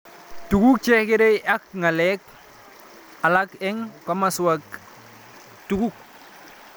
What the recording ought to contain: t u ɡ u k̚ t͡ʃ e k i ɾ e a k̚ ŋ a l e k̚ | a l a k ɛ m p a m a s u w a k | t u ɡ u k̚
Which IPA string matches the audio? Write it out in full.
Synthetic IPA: t u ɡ u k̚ t͡ʃ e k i ɾ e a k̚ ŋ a l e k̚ | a l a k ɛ ŋ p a m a s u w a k | t u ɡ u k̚